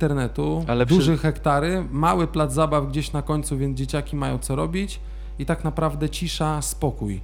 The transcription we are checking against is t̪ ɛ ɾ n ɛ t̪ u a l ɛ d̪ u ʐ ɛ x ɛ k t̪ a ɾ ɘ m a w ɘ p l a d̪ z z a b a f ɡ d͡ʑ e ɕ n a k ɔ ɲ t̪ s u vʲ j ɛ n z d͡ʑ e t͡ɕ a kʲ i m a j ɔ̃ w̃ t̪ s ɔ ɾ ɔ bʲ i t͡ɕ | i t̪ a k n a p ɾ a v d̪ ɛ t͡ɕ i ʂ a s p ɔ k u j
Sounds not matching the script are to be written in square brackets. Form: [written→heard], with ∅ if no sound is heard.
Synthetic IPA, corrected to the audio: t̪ ɛ ɾ n ɛ t̪ u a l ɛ d̪ u ʐ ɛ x ɛ k t̪ a ɾ ɘ m a w ɘ p l a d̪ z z a b a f ɡ d͡ʑ e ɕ n a k ɔ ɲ t̪ s u vʲ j ɛ n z d͡ʑ e t͡ɕ a kʲ i m a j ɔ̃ w̃ t̪ s ɔ ɾ ɔ bʲ i t͡ɕ | i t̪ a k n a p ɾ a v d̪ ɛ t͡ɕ i ʂ a s p ɔ k u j